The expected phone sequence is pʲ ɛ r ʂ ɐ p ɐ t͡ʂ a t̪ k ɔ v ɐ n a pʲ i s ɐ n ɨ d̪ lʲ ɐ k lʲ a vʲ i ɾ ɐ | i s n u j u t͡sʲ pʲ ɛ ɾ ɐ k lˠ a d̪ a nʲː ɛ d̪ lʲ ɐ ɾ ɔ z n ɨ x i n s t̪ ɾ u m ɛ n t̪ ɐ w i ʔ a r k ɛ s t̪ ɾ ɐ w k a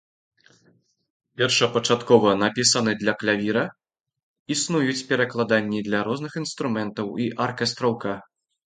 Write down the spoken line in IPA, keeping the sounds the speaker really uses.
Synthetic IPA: pʲ ɛ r ʂ ɐ p ɐ t͡ʂ a t̪ k ɔ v ɐ n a pʲ i s ɐ n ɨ d̪ lʲ ɐ k lʲ a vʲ i ɾ ɐ | i s n u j u t͡sʲ pʲ ɛ ɾ ɐ k lˠ a d̪ a nʲː i d̪ lʲ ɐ ɾ ɔ z n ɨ x i n s t̪ ɾ u m ɛ n t̪ ɐ w i ʔ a r k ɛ s t̪ ɾ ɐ w k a

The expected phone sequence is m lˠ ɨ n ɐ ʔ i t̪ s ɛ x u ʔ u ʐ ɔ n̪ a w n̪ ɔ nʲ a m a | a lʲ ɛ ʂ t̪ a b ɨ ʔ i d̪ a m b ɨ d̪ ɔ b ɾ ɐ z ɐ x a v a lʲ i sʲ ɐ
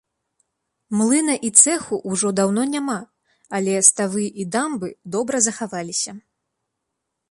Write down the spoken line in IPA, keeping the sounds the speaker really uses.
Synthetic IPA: m lˠ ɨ n ɐ ʔ i t̪ s ɛ x u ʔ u ʐ ɔ d̪ a w n̪ ɔ nʲ a m a | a lʲ ɛ s t̪ a v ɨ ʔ i d̪ a m b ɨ d̪ ɔ b ɾ ɐ z ɐ x a v a lʲ i sʲ ɐ

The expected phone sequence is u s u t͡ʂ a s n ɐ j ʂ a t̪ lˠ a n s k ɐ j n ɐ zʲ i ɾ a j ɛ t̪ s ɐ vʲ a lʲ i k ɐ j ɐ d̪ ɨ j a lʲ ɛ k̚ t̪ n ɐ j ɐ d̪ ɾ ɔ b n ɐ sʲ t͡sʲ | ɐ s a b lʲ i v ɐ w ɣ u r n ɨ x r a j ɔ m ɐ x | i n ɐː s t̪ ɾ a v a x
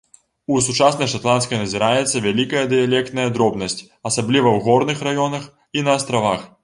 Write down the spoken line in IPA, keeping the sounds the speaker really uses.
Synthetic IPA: u s u t͡ʂ a s n ɐ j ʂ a t̪ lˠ a n s k ɐ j n ɐ zʲ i ɾ a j ɛ t̪ sː ɐ vʲ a lʲ i k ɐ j ɐ d̪ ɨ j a lʲ ɛ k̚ t̪ n ɐ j ɐ d̪ ɾ ɔ b n ɐ sʲ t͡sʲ | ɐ s a b lʲ i v ɐ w ɣ ɔ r n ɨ x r a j ɔ n ɐ x | i n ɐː s t̪ ɾ a v a x

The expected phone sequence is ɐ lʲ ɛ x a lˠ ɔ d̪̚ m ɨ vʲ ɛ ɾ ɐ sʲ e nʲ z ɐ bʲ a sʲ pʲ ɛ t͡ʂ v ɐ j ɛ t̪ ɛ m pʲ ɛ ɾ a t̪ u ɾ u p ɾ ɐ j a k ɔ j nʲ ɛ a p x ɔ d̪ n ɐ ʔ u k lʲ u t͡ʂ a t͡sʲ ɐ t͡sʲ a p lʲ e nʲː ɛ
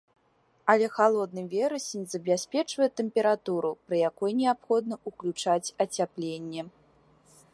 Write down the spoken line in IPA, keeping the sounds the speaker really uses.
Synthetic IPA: ɐ lʲ ɛ x a lˠ ɔ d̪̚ n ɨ vʲ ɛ ɾ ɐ sʲ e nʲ z ɐ bʲ a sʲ pʲ ɛ t͡ʂ v ɐ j ɛ t̪ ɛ m pʲ ɛ ɾ a t̪ u ɾ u p ɾ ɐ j a k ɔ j nʲ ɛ a p x ɔ d̪ n ɐ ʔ u k lʲ u t͡ʂ a t͡sʲ ɐ t͡sʲ a p lʲ e nʲː ɛ

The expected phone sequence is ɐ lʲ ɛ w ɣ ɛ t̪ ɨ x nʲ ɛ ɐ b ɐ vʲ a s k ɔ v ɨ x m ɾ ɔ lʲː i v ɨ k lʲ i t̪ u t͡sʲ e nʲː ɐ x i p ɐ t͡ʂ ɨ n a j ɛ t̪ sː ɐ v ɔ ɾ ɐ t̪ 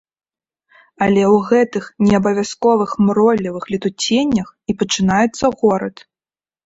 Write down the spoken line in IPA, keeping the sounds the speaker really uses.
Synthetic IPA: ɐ lʲ ɛ w ɣ ɛ t̪ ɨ x nʲ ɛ ɐ b ɐ vʲ a s k ɔ v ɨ x m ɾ ɔ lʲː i v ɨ x lʲ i t̪ u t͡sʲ e nʲː ɐ x i p ɐ t͡ʂ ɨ n a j ɛ t̪ sː ɐ ɣ ɔ ɾ ɐ t̪

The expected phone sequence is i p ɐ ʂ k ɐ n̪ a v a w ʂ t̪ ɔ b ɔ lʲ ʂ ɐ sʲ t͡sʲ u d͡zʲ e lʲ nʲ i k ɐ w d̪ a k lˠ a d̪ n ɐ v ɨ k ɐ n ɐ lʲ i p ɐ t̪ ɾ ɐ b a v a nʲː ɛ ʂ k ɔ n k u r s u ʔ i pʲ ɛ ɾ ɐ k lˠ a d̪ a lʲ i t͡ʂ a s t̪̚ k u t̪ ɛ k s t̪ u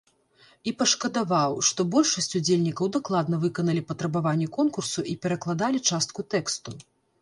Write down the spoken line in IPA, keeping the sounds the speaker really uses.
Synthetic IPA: i p ɐ ʂ k ɐ d̪ a v a w ʂ t̪ ɔ b ɔ lʲ ʂ ɐ sʲ t͡sʲ u d͡zʲ e lʲ nʲ i k ɐ w d̪ a k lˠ a d̪ n ɐ v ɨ k ɐ n ɐ lʲ i p ɐ t̪ ɾ ɐ b a v a nʲː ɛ k ɔ n k u r s u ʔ i pʲ ɛ ɾ ɐ k lˠ a d̪ a lʲ i t͡ʂ a s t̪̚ k u t̪ ɛ k s t̪ u

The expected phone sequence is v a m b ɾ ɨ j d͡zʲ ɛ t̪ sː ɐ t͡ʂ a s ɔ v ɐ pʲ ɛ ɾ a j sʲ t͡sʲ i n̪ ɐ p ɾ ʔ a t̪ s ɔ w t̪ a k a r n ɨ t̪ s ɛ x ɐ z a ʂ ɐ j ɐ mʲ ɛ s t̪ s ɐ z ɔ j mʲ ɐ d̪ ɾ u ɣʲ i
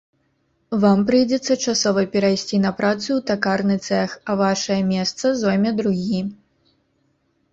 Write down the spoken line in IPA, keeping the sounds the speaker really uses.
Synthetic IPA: v a m p ɾ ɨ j d͡zʲ ɛ t̪ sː ɐ t͡ʂ a s ɔ v ɐ pʲ ɛ ɾ a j sʲ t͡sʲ i n̪ ɐ p ɾ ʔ a t̪ s u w t̪ a k a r n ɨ t̪ s ɛ x ɐ v a ʂ ɐ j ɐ mʲ ɛ s t̪ s ɐ z ɔ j mʲ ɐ d̪ ɾ u ɣʲ i

